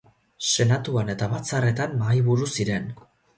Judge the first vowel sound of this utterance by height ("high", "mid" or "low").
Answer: mid